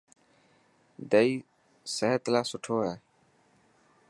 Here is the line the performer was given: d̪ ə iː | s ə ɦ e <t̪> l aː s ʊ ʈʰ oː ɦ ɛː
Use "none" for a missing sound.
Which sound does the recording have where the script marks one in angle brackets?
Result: t̪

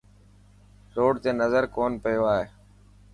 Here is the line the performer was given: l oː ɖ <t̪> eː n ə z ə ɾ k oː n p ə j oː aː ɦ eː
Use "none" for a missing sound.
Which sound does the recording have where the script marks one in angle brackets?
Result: t̪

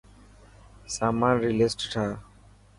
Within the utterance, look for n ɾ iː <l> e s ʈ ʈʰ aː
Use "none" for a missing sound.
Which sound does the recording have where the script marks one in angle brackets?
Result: l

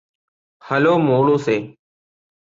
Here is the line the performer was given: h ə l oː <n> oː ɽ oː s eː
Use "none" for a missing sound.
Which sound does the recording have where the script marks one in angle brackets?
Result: m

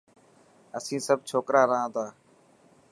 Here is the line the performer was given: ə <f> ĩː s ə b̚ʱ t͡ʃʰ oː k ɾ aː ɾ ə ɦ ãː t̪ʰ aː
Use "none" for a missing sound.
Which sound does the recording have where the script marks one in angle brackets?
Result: s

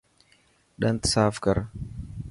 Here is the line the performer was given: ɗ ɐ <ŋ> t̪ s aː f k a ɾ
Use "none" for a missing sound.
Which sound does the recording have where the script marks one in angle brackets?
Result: n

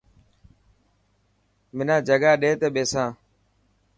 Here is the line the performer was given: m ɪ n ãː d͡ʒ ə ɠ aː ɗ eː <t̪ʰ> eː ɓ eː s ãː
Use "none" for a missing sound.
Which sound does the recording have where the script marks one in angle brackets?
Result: t̪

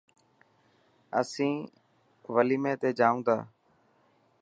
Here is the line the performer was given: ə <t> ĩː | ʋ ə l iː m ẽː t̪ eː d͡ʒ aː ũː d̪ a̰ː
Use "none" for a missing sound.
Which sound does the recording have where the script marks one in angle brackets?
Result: s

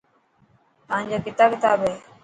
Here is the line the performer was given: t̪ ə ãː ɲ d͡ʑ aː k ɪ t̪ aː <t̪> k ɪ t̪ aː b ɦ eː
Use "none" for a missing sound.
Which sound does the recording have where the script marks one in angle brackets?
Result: none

